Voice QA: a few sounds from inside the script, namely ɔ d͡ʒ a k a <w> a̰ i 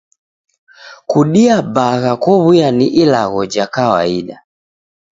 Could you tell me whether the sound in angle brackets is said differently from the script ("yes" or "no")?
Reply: no